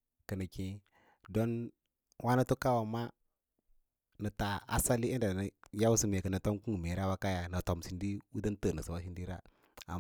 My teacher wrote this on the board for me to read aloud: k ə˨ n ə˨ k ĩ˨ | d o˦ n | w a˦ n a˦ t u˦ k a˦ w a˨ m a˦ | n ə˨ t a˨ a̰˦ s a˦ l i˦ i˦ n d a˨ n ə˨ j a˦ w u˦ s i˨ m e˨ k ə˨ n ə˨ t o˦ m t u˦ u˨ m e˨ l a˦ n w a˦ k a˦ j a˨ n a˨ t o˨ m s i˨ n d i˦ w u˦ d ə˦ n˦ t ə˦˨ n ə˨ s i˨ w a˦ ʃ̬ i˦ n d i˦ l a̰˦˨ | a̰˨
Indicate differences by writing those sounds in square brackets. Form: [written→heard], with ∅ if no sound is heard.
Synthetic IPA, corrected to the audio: k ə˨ n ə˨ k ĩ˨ | d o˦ n | w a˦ n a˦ t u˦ k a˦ w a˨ m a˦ | n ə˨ t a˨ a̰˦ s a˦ l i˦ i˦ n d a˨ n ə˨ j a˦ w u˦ s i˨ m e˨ k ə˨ n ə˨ t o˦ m [t→k] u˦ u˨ m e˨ [l→ɾ] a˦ [n→∅] w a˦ k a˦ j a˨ n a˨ t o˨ m s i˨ n d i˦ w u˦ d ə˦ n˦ t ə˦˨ n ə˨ s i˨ w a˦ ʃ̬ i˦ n d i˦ [l→ɾ] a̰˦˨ | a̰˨